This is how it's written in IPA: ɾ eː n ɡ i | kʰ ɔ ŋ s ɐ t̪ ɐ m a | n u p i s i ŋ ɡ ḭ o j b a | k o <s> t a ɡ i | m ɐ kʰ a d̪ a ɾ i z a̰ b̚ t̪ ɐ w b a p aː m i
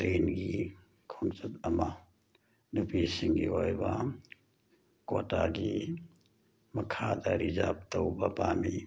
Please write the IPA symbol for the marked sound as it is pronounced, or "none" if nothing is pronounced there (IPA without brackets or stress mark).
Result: none